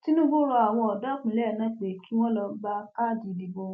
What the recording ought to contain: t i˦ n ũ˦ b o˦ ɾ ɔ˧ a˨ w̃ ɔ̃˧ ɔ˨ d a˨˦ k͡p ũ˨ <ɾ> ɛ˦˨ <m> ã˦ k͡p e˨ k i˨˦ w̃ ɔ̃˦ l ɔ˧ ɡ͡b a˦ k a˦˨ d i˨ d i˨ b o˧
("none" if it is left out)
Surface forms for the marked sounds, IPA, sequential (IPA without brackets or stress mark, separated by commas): l, n